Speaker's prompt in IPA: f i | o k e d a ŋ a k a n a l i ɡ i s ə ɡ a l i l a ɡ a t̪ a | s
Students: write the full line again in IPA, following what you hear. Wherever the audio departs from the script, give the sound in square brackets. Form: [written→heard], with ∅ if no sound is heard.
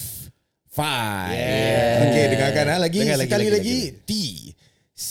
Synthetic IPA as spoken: f [i→a] | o k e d [a→ə] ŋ a k a n a l [i→a] ɡ i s ə [ɡ→k] a l i l a ɡ [a→i] t̪ [a→i] | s